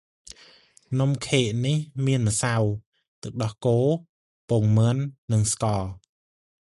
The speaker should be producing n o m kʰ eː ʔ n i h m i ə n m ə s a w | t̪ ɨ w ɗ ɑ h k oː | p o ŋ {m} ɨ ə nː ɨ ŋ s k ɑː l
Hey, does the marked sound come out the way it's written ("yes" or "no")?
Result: yes